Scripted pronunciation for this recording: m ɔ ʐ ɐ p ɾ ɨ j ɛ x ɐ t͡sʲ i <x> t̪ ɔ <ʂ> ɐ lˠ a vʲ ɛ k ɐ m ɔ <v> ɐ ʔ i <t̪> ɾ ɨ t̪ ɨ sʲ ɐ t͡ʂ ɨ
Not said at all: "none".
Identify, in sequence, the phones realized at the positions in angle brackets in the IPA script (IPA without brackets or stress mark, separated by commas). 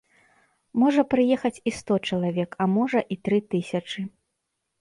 s, t͡ʂ, ʐ, t̪